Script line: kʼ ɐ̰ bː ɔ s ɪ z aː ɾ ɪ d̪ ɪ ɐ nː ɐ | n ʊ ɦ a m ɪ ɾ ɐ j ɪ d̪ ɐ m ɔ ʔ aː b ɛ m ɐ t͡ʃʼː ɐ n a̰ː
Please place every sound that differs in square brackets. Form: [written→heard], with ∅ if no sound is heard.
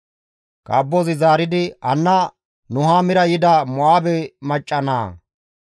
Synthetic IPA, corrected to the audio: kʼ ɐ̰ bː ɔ [s→z] ɪ z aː ɾ ɪ d̪ ɪ ɐ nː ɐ | n ʊ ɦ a m ɪ ɾ ɐ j ɪ d̪ ɐ m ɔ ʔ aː b ɛ m ɐ t͡ʃʼː ɐ n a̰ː